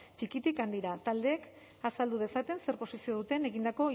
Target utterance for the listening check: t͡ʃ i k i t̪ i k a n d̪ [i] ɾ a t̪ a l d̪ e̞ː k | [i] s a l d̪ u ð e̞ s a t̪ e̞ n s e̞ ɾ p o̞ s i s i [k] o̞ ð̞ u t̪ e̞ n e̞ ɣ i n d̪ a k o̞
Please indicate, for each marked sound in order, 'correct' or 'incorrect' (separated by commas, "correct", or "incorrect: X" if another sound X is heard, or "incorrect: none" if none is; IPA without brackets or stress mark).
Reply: correct, incorrect: a, incorrect: none